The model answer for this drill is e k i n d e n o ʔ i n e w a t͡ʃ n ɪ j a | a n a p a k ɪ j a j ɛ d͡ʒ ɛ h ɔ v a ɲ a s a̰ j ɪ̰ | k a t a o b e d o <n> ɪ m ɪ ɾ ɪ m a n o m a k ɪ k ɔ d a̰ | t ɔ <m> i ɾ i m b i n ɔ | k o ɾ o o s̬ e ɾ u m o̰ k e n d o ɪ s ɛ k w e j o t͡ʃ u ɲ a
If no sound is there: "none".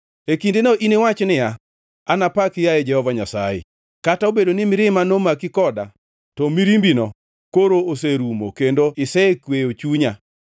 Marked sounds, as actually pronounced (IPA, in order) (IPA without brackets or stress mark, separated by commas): n, m